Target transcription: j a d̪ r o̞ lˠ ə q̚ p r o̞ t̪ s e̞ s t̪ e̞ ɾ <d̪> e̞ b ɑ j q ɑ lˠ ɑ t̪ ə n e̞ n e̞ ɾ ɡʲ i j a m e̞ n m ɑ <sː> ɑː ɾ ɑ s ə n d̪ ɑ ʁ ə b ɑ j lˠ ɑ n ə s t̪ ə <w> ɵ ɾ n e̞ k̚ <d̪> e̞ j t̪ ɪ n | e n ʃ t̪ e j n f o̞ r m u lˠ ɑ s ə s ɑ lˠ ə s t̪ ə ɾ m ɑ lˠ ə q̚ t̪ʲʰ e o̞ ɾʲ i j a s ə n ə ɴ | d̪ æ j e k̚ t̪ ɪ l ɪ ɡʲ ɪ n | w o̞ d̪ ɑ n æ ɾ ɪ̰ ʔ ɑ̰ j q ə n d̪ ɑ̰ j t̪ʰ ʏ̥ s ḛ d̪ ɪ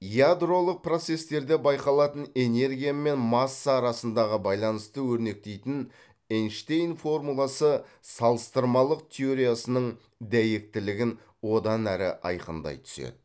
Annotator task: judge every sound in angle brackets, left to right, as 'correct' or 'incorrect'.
correct, correct, correct, incorrect: t̪

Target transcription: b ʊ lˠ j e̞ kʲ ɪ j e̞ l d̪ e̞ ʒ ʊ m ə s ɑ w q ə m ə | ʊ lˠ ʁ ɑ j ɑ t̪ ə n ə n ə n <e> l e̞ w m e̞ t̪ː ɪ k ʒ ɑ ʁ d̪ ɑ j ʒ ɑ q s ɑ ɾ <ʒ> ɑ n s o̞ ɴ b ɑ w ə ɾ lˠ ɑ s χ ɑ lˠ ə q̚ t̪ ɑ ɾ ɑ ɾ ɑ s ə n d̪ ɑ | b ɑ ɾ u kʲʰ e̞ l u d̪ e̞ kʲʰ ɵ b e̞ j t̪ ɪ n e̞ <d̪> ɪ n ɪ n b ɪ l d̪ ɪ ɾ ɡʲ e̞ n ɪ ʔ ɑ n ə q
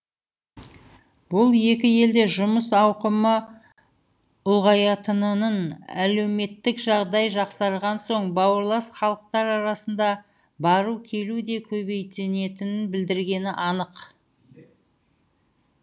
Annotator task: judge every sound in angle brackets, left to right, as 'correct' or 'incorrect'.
incorrect: æ, incorrect: ʁ, incorrect: t̪

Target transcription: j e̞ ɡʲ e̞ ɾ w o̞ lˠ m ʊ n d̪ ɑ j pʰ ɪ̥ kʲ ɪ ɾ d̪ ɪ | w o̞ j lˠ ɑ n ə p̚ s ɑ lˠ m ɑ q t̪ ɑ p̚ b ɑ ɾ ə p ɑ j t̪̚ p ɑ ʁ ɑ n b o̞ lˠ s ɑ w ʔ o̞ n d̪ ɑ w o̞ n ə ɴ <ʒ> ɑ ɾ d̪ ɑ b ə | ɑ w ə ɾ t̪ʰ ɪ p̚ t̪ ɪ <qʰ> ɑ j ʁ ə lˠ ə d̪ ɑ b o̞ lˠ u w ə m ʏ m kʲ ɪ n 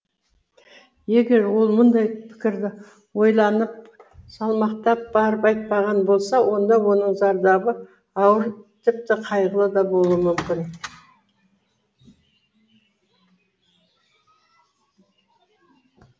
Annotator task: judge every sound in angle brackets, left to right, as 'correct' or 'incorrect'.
incorrect: z, correct

